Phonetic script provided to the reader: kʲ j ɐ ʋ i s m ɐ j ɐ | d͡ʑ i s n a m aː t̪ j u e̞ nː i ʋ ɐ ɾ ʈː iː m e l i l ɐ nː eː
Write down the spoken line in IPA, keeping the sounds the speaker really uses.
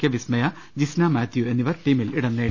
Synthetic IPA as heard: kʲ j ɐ ʋ i s m ɐ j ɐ | d͡ʑ i s n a m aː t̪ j u e̞ nː i ʋ ɐ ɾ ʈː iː m i l i ɽ ɐ nː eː